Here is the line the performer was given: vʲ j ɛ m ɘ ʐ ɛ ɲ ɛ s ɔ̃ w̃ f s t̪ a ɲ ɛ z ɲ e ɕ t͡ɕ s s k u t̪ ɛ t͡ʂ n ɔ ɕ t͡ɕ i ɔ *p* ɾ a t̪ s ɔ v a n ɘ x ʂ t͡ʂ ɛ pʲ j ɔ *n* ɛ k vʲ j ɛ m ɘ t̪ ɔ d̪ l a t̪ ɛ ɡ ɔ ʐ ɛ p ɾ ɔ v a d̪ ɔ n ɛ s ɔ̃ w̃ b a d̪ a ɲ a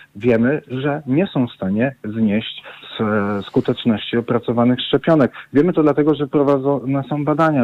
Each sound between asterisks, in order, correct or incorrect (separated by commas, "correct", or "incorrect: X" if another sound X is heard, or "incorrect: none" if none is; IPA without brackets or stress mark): correct, correct